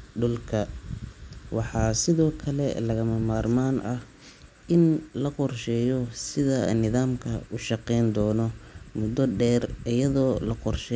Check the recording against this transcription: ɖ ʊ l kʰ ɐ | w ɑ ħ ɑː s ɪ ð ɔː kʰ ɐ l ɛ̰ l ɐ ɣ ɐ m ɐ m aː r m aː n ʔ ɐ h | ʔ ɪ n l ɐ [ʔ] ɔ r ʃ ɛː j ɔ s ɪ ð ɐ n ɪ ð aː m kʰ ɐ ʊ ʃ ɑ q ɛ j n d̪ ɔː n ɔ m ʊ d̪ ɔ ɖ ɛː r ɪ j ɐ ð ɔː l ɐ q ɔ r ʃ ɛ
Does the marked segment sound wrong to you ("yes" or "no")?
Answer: yes